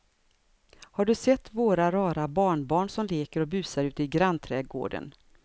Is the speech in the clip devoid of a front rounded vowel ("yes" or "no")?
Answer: yes